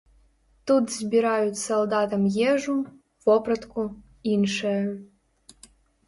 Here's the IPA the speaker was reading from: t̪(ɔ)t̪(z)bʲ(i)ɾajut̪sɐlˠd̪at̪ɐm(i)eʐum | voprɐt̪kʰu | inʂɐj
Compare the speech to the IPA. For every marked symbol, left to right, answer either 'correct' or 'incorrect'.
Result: incorrect, correct, correct, incorrect

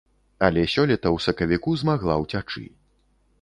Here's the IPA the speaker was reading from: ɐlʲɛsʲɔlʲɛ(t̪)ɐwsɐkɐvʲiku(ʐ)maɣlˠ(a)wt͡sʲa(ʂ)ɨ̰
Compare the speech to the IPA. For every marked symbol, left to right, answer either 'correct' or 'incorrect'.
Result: correct, incorrect, correct, incorrect

